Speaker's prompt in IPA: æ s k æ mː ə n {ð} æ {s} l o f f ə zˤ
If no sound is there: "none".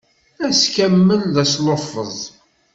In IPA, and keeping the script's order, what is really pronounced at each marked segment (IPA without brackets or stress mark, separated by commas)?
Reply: ð, s